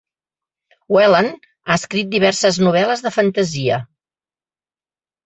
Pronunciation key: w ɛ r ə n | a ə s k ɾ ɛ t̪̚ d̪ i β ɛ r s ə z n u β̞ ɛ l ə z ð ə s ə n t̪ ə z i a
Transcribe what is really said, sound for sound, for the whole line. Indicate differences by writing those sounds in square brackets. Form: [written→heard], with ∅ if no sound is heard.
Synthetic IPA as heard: w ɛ [r→l] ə n | a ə s k ɾ [ɛ→i] t̪̚ d̪ i β ɛ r s ə z n u β̞ ɛ l ə z ð ə [s→f] ə n t̪ ə z i [a→ə]